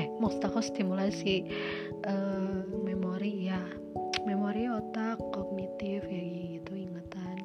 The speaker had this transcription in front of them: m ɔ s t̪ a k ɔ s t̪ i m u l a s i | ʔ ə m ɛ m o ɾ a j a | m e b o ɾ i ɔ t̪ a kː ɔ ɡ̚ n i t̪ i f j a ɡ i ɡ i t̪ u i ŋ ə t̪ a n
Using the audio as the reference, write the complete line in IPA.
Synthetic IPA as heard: m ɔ s t̪ a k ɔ s t̪ i m u l a s i | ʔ ə m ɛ m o ɾ i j a | m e m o ɾ i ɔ t̪ a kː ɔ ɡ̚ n i t̪ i f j a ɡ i ɡ i t̪ u i ŋ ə t̪ a n